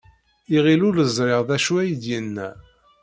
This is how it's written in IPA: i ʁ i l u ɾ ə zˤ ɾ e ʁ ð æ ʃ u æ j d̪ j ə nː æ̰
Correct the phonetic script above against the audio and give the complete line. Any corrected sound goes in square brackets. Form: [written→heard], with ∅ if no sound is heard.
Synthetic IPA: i ʁ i l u [ɾ→l] ə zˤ ɾ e ʁ ð æ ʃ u æ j d̪ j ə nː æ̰